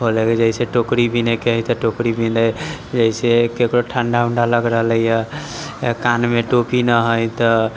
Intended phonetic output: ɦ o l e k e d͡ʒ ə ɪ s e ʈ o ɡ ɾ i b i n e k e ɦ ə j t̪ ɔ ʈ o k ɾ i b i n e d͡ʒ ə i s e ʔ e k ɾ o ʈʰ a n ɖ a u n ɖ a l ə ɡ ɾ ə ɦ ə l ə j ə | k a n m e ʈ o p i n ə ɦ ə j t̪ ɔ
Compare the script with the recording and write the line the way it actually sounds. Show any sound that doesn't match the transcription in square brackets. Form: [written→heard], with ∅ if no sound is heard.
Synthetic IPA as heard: ɦ o l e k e d͡ʒ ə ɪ s e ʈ o [ɡ→k] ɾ i b i n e k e ɦ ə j t̪ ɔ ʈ o k ɾ i b i n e d͡ʒ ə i s e [ʔ→k] e k ɾ o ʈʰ a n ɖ a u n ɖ a l ə ɡ ɾ ə ɦ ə l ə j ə | k a n m e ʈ o p i n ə ɦ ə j t̪ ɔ